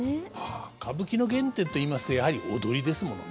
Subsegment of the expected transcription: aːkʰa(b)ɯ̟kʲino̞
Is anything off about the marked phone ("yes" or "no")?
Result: no